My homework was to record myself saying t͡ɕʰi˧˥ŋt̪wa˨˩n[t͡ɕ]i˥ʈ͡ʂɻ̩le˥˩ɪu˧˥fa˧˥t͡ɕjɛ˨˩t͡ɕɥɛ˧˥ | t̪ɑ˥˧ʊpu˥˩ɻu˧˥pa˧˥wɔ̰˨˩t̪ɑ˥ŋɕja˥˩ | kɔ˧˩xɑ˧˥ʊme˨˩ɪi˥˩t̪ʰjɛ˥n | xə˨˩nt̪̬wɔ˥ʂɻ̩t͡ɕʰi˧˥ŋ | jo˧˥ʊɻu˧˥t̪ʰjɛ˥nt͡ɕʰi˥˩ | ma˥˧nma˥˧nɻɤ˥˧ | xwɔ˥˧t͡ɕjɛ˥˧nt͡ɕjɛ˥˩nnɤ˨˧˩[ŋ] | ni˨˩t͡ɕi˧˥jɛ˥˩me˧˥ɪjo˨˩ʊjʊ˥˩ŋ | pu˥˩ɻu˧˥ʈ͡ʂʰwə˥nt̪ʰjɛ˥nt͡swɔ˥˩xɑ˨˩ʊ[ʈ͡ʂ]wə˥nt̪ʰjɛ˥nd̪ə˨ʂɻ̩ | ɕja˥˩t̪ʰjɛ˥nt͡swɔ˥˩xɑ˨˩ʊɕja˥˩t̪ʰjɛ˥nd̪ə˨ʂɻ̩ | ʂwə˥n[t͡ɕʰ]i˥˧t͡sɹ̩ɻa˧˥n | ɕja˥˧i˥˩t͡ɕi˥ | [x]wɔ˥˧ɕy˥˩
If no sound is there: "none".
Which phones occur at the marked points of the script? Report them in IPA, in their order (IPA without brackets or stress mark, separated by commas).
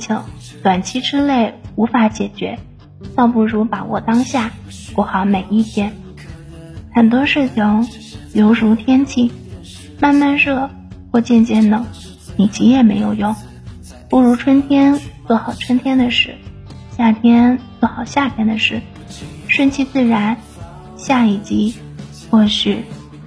t͡ɕʰ, ŋ, ʈ͡ʂʰ, t͡ɕʰ, x